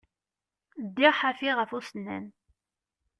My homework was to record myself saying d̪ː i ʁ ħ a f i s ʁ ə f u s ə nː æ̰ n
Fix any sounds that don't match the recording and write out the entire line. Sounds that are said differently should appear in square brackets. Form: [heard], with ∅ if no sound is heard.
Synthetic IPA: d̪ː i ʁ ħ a f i [∅] ʁ ə f u s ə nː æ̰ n